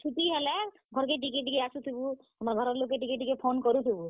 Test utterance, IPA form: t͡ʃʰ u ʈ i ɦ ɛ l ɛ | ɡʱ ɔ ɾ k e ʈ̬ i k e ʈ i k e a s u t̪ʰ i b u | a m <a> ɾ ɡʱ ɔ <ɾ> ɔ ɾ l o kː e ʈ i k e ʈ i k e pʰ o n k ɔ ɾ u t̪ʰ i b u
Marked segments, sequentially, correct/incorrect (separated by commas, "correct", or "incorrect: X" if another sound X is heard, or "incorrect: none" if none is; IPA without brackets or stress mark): correct, correct